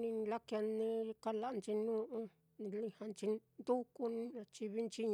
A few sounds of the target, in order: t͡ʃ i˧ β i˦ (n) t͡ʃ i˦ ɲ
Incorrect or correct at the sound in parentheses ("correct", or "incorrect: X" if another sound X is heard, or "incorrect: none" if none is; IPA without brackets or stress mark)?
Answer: correct